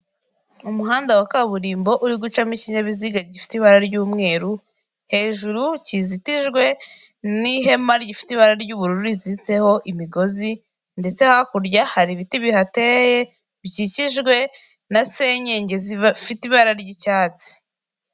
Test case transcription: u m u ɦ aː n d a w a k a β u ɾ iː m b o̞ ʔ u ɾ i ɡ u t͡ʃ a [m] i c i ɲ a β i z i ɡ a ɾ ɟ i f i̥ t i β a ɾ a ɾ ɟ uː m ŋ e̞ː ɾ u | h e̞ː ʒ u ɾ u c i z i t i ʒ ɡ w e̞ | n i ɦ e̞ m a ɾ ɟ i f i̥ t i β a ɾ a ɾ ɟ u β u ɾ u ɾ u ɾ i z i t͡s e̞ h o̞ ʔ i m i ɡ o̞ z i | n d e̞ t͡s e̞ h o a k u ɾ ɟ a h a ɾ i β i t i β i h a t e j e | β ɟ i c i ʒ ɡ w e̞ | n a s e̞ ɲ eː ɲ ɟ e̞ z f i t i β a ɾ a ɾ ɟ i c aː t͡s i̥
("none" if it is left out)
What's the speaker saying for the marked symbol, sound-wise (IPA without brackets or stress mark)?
m